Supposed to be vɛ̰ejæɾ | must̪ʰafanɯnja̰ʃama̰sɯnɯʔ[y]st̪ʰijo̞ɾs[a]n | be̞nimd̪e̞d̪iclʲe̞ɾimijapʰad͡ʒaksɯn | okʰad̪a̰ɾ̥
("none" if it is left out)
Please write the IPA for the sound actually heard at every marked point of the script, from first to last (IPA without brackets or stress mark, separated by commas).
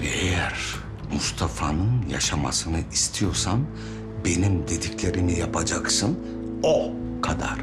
i, a